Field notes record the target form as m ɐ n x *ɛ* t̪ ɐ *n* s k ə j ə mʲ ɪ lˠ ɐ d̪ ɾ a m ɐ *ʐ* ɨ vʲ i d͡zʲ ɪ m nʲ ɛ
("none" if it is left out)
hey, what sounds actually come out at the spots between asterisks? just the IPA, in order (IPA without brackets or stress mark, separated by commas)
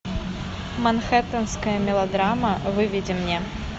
ɛ, n, v